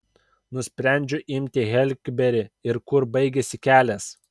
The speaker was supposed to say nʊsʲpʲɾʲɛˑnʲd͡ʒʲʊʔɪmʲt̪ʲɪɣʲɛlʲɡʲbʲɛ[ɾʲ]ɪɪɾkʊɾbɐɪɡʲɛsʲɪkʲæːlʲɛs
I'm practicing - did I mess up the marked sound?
no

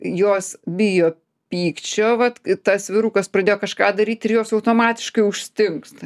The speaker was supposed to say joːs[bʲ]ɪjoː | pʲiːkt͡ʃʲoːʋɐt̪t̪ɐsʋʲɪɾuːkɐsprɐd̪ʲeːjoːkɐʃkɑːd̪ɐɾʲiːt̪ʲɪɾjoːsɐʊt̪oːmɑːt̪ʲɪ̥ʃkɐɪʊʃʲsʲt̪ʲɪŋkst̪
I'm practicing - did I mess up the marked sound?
no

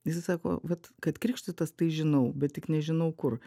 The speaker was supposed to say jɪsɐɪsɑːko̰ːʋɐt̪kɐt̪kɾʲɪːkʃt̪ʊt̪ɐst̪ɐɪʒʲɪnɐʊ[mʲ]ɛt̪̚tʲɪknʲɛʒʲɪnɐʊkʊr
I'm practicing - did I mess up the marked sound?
yes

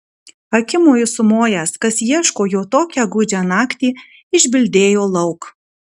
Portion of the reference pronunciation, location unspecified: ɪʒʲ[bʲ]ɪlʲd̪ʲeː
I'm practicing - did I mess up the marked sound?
no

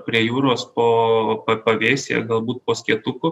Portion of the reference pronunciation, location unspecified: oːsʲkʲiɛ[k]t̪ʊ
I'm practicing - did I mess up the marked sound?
yes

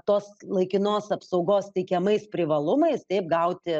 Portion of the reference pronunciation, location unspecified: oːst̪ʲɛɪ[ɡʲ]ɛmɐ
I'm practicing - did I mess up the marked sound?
yes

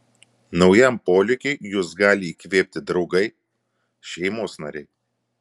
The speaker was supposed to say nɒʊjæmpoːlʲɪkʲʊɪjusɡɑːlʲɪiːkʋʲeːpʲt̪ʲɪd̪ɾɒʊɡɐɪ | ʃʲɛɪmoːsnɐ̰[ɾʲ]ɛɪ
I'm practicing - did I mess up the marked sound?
no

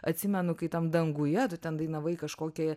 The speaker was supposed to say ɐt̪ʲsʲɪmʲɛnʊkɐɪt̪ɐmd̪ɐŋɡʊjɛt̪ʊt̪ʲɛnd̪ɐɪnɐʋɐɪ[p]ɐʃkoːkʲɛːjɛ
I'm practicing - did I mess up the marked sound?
yes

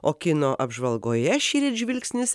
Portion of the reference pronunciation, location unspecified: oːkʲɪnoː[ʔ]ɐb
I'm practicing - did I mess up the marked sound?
no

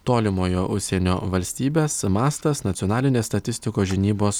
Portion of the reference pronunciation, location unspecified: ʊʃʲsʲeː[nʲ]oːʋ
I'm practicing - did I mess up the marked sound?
no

